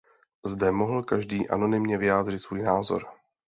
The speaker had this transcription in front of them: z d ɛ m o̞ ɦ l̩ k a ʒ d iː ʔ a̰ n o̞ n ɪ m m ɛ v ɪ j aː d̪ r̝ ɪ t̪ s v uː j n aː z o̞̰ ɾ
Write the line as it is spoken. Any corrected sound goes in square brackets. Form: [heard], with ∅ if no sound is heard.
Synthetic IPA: z d ɛ m o̞ ɦ l̩ k a ʒ d iː ʔ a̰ n o̞ n ɪ m [ɲ] ɛ v ɪ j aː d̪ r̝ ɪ t̪ s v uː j n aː z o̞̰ ɾ